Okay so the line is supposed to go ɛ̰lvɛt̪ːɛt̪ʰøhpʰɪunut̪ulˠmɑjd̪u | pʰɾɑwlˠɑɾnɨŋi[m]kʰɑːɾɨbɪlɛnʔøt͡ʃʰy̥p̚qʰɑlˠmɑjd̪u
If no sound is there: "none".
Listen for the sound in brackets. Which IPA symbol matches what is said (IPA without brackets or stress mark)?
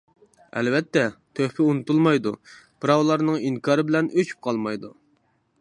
ŋ